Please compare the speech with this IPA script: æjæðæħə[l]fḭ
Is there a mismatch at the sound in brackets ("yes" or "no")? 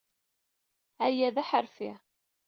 yes